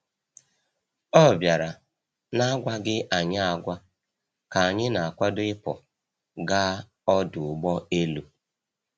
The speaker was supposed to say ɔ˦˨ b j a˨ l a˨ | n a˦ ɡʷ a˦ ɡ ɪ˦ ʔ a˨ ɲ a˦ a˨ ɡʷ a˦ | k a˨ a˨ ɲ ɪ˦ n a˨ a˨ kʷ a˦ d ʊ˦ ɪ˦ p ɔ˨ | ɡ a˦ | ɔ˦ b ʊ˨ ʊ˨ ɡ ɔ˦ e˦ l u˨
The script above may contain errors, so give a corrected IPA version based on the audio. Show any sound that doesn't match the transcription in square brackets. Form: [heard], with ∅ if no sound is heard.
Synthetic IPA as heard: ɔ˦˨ b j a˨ [ɾ] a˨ | n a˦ ɡʷ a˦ ɡ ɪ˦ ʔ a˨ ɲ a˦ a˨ ɡʷ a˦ | k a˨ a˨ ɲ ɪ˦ n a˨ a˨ kʷ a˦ d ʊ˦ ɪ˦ p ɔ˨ | ɡ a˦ | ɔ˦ [d] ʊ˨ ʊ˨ [ɡ͡b] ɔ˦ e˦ l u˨